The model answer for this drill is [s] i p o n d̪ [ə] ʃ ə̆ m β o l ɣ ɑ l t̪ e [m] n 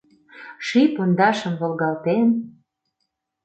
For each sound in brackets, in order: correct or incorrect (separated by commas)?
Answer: incorrect, incorrect, incorrect